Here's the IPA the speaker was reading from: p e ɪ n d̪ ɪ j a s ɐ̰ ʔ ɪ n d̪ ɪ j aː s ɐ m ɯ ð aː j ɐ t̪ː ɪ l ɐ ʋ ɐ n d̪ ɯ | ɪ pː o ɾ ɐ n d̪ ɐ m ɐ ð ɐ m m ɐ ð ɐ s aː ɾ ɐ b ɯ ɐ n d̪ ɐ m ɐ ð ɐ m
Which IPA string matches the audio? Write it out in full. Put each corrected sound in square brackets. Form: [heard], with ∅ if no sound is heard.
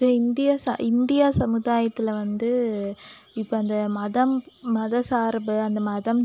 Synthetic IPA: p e ɪ n d̪ ɪ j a s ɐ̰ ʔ ɪ n d̪ ɪ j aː s ɐ m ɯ ð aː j ɐ t̪ː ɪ l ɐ ʋ ɐ n d̪ ɯ | ɪ pː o [∅] ɐ n d̪ ɐ m ɐ ð ɐ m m ɐ ð ɐ s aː ɾ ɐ b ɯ ɐ n d̪ ɐ m ɐ ð ɐ m